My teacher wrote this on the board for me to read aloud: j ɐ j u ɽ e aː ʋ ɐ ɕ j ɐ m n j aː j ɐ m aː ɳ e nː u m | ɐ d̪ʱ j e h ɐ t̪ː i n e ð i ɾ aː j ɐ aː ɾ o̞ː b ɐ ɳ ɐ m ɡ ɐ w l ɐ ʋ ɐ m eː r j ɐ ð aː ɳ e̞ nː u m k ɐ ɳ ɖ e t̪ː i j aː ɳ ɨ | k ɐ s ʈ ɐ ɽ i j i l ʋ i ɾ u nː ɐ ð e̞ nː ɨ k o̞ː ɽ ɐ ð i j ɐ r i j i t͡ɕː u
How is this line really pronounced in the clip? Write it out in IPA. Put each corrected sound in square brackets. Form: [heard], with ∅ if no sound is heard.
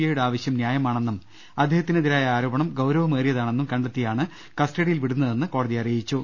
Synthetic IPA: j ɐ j u ɽ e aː ʋ ɐ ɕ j ɐ m n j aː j ɐ m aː ɳ e nː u m | ɐ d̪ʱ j e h ɐ t̪ː i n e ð i ɾ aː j ɐ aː ɾ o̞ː b ɐ ɳ ɐ m ɡ ɐ w [ɾ] ɐ ʋ ɐ m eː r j ɐ ð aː ɳ e̞ nː u m k ɐ ɳ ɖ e t̪ː i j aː ɳ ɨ | k ɐ s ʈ ɐ ɽ i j i l ʋ i [ɽ] u nː ɐ ð e̞ nː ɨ k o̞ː ɽ ɐ ð i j ɐ r i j i t͡ɕː u